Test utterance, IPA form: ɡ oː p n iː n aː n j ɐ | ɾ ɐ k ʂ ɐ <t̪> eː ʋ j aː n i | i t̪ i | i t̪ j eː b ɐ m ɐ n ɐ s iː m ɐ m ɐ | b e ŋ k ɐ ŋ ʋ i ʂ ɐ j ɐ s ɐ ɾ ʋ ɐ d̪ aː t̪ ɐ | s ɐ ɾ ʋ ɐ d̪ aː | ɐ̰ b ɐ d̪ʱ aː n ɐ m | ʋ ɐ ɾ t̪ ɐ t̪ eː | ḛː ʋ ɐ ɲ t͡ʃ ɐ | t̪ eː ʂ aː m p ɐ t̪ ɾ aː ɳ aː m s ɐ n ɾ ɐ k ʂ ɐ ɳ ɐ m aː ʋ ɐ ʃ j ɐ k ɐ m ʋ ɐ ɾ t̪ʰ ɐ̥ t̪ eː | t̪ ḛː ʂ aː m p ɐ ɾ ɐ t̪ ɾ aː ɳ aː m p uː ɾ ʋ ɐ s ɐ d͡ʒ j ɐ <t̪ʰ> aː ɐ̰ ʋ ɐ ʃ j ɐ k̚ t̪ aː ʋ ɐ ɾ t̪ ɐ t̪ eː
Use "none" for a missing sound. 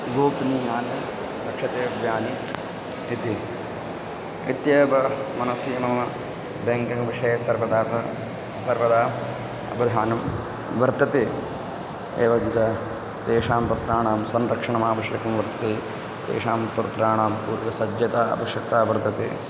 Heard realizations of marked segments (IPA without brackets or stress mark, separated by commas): t̪, t̪